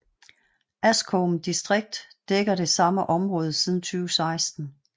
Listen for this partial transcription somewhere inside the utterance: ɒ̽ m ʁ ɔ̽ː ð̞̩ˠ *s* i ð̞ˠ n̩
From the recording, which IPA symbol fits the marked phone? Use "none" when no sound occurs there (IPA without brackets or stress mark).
s